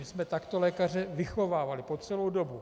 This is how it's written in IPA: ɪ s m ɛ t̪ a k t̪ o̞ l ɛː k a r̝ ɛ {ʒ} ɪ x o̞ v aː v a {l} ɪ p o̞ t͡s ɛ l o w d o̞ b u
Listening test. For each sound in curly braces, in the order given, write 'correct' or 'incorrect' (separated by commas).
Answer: incorrect, correct